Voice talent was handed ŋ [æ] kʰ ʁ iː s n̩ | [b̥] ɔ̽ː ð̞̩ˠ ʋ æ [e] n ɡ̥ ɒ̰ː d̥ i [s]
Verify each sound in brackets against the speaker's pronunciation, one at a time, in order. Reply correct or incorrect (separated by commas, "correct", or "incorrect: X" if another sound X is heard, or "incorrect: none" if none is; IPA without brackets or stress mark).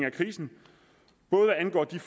correct, correct, incorrect: æ, incorrect: f